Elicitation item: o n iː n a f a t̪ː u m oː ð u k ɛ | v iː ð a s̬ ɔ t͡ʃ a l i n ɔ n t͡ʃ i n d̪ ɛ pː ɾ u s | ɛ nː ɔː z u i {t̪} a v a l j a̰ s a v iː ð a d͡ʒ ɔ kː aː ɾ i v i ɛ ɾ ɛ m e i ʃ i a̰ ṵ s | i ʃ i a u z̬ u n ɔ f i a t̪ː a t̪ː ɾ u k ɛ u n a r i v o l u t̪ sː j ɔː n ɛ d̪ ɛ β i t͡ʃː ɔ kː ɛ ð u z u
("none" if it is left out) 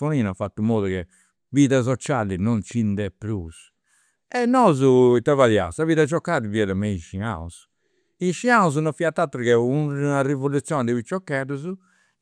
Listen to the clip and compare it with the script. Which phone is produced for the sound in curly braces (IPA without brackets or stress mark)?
t̪